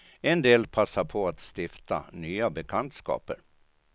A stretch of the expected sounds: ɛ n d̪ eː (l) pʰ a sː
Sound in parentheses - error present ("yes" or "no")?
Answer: no